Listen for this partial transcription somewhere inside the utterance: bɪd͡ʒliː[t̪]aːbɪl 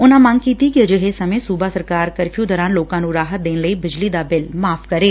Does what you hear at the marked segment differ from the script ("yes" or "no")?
yes